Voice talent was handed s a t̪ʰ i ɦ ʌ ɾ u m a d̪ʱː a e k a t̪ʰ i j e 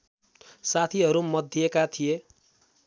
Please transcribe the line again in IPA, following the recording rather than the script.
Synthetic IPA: s a t̪ʰ i ɦ ʌ ɾ u m ʌ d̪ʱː i e k a t̪ʰ i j e